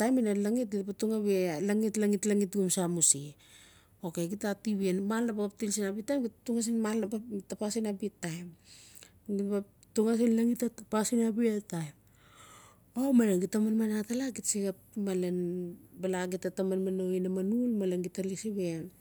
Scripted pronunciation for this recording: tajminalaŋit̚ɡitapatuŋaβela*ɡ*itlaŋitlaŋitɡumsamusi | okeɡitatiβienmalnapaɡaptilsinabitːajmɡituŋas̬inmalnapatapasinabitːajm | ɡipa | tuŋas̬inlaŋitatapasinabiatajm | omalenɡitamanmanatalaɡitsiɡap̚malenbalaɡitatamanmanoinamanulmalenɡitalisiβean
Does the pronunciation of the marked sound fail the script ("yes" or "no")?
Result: yes